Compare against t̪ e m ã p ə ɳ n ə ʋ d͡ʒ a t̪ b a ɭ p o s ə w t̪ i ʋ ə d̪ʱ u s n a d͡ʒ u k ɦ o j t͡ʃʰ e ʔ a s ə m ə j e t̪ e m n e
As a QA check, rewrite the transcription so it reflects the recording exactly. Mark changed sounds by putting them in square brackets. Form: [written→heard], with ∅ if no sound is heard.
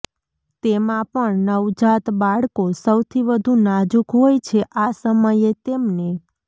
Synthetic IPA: t̪ e m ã p ə ɳ n ə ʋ d͡ʒ a t̪ b a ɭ [p→k] o s ə w [t̪→t̪ʰ] i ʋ ə d̪ʱ u [s→∅] n a d͡ʒ u k ɦ o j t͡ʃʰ e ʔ a s ə m ə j e t̪ e m n e

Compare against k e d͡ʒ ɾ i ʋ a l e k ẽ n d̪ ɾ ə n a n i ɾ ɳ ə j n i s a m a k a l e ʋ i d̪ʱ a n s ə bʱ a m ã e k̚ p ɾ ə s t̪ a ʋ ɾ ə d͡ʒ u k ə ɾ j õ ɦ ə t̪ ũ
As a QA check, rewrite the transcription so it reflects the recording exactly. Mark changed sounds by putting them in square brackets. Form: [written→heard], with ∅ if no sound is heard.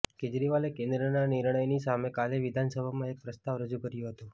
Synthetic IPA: k e d͡ʒ ɾ i ʋ a l e k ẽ n d̪ ɾ ə n a n i ɾ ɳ ə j n i s a m [a→e] k a l e ʋ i d̪ʱ a n s ə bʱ a m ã e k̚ p ɾ ə s t̪ a ʋ ɾ ə d͡ʒ u k ə ɾ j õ ɦ ə t̪ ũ

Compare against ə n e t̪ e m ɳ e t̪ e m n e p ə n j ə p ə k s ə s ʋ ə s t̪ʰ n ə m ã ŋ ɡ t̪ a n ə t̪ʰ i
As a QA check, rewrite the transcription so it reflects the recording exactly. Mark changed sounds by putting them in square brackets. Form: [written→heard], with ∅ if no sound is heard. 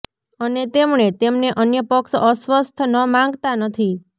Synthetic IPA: ə n e t̪ e m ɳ e t̪ e m n e [p→ʔ] ə n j ə p ə k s ə s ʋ ə s t̪ʰ n ə m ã ŋ ɡ t̪ a n ə t̪ʰ i

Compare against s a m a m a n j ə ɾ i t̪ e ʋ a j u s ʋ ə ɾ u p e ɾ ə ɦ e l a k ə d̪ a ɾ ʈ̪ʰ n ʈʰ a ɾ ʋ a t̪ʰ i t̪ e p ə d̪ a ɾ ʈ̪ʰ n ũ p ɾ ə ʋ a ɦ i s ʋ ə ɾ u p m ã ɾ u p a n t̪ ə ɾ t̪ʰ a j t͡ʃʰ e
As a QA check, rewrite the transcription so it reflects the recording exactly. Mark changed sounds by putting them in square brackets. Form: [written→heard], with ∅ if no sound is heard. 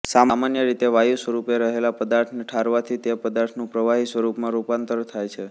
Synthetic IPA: s a m a m a n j ə ɾ i t̪ e ʋ a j u s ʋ ə ɾ u p e ɾ ə ɦ e l a [k→p] ə d̪ a ɾ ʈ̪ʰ n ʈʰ a ɾ ʋ a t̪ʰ i t̪ e p ə d̪ a ɾ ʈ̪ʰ n ũ p ɾ ə ʋ a ɦ i s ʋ ə ɾ u p m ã ɾ u p a n t̪ ə ɾ t̪ʰ a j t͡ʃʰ e

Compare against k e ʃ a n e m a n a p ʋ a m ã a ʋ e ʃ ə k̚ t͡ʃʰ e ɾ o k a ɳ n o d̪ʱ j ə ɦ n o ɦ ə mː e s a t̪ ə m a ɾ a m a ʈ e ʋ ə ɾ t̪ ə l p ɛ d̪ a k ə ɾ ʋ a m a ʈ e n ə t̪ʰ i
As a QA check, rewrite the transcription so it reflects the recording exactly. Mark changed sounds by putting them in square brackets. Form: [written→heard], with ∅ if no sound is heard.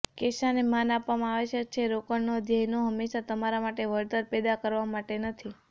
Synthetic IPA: k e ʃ a n e m a n a p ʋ a m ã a ʋ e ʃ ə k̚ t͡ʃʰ e ɾ o k [a→ə] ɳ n o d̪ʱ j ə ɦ n o ɦ ə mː e [s→ʃ] a t̪ ə m a ɾ a m a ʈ e ʋ ə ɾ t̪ ə [l→ɾ] p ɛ d̪ a k ə ɾ ʋ a m a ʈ e n ə t̪ʰ i

